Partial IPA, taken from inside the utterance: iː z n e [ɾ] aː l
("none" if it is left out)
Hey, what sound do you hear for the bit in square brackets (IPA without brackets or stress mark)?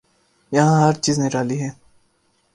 ɾ